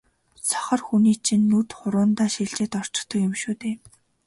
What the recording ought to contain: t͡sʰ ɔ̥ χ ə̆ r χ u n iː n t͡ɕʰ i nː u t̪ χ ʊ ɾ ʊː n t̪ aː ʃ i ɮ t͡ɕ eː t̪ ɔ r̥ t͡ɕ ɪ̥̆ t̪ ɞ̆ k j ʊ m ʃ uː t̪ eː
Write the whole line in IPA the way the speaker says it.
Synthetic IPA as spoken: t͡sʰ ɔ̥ χ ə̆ r x u n iː t͡ɕʰ i nː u t̪ χ ʊ ɾ ʊː n t̪ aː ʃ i ɮ t͡ɕ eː t̪ ɔ r̥ t͡ɕ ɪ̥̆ t̪ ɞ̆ k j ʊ m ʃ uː t̪ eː